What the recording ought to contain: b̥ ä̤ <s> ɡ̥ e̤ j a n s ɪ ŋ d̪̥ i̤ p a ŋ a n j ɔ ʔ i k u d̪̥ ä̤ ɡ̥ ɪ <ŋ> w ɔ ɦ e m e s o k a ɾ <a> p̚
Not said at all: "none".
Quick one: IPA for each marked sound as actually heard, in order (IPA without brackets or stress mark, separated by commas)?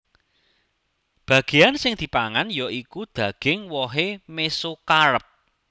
none, ŋ, ə